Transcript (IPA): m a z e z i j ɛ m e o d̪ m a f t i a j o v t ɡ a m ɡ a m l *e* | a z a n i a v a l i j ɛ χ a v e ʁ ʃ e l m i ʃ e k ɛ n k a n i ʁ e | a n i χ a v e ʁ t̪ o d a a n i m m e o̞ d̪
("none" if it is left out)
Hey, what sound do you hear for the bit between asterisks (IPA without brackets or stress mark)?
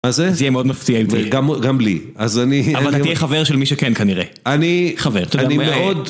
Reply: i